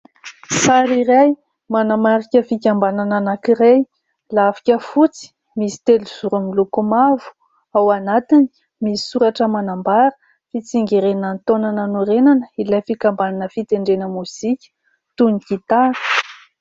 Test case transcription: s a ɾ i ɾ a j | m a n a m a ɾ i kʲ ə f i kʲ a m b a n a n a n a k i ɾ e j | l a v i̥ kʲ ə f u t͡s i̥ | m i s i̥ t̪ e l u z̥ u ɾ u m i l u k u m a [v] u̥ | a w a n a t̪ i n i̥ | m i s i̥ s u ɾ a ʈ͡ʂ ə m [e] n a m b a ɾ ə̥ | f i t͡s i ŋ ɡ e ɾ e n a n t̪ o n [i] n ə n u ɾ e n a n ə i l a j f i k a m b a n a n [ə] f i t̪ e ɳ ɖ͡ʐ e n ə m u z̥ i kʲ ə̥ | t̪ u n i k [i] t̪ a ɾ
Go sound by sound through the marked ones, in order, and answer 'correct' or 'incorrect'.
correct, incorrect: a, incorrect: a, correct, correct

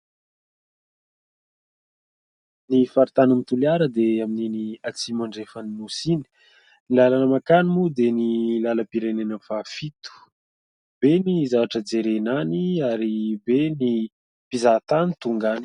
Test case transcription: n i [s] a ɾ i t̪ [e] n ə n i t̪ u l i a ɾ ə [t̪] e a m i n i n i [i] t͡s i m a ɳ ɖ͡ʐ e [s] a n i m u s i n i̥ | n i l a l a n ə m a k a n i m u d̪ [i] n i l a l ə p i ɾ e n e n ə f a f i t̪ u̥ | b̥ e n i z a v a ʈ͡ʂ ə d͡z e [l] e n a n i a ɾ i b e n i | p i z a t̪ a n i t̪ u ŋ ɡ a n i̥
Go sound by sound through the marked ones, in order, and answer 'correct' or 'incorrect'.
incorrect: f, incorrect: a, incorrect: d̪, incorrect: a, incorrect: f, incorrect: e, incorrect: ɾ

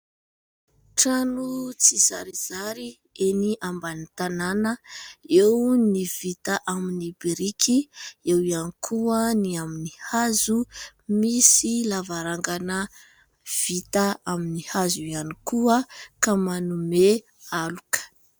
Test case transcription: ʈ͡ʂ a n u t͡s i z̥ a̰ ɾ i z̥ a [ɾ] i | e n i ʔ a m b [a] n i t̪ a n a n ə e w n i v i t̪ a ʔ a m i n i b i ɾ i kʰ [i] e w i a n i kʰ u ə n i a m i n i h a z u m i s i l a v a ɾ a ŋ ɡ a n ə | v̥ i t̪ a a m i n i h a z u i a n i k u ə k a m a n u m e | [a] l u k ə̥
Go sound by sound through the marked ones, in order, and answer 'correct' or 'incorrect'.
correct, correct, correct, correct

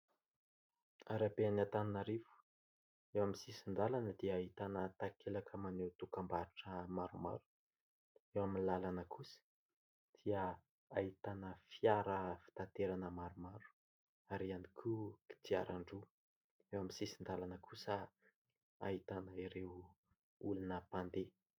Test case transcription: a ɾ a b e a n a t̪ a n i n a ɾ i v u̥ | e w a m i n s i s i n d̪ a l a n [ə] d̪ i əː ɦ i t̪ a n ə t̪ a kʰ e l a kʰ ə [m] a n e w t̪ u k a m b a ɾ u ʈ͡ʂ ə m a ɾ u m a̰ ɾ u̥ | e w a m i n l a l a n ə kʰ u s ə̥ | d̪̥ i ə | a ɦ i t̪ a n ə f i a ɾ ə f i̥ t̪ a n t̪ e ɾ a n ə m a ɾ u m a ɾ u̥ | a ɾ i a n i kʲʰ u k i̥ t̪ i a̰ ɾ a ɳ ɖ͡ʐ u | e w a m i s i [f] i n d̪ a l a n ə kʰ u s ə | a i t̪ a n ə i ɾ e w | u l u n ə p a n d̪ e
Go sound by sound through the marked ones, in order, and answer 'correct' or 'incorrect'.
correct, correct, incorrect: s

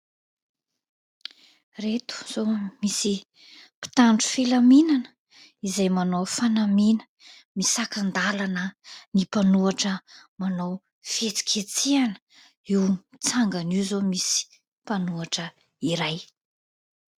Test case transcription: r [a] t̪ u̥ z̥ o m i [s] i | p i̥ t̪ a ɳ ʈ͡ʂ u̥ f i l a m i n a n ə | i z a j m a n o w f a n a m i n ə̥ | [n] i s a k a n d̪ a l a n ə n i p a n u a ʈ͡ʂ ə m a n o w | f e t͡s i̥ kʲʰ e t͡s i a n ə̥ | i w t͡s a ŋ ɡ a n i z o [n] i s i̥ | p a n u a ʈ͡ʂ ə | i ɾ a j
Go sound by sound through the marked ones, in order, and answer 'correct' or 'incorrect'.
incorrect: e, correct, incorrect: m, incorrect: m

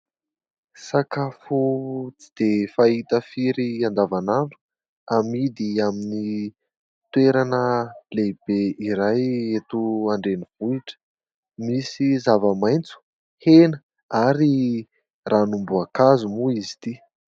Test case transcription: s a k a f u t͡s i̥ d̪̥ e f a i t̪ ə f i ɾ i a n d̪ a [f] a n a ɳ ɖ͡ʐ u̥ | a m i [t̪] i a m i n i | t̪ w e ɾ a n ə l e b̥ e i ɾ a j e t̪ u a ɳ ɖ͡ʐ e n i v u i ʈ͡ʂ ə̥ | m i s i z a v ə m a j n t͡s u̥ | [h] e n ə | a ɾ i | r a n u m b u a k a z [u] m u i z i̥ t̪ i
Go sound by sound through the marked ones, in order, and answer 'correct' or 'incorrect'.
incorrect: v, incorrect: d̪, correct, correct

